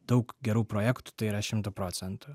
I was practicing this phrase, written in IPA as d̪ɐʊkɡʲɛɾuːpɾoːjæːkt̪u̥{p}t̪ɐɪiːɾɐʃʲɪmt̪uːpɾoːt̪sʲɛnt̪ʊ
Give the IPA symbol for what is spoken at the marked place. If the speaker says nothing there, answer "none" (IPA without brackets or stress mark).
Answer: none